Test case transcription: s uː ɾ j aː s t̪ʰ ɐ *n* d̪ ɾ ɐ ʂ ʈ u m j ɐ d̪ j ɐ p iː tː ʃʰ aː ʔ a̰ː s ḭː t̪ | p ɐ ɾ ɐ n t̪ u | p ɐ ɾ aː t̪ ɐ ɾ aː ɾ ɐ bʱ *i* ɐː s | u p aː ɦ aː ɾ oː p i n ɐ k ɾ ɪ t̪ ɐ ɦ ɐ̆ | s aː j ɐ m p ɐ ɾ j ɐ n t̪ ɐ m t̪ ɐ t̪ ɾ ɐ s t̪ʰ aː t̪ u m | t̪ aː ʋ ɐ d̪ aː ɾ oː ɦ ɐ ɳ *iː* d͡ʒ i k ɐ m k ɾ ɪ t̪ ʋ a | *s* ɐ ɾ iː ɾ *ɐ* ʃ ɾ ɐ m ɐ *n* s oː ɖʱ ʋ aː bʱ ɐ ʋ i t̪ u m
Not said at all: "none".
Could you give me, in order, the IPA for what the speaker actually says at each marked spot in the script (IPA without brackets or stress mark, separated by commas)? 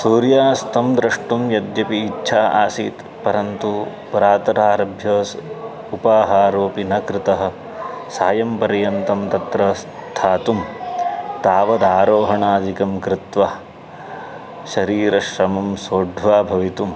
m, j, aː, ʃ, ɐ, m